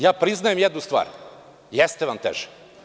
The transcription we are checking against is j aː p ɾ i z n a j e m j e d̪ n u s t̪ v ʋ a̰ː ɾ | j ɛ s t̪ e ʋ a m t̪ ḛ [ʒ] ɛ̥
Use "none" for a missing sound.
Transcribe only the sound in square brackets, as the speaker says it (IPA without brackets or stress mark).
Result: ʒ